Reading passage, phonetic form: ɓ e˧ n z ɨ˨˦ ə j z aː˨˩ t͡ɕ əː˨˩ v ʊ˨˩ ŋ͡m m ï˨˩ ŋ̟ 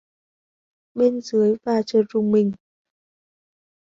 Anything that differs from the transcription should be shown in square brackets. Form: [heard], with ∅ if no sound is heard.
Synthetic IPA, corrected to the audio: ɓ e˧ n z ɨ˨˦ ə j [v] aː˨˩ t͡ɕ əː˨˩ [z] ʊ˨˩ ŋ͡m m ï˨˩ ŋ̟